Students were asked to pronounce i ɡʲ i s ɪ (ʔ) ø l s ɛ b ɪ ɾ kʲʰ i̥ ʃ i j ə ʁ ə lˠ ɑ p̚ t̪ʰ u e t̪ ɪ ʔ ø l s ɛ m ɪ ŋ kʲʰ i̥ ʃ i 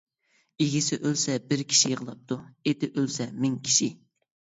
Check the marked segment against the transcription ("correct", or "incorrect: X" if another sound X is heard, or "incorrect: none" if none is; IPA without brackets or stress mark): correct